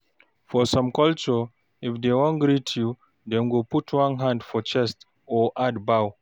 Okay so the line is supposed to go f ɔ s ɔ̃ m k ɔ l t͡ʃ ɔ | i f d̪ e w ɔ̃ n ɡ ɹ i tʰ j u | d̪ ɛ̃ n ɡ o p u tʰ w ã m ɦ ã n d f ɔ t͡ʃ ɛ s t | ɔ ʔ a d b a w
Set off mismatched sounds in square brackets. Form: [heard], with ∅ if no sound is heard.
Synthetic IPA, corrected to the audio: f ɔ s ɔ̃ m k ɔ l t͡ʃ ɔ | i f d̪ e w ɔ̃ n ɡ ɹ i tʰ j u | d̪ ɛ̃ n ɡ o p u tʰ w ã [n] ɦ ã n d f ɔ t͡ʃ ɛ s t | ɔ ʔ a d b a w